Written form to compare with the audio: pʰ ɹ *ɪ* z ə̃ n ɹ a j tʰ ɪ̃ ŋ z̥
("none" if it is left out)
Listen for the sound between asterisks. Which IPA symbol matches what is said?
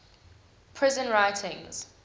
ɪ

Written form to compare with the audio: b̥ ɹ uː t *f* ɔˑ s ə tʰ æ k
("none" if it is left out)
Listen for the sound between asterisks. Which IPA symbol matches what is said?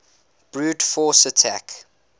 f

